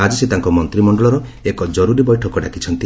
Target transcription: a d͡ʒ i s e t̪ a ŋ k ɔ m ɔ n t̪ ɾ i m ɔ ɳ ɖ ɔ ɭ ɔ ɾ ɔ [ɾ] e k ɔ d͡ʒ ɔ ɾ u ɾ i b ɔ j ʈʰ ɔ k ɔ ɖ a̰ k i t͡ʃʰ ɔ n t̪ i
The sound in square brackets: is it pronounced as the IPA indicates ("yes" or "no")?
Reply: no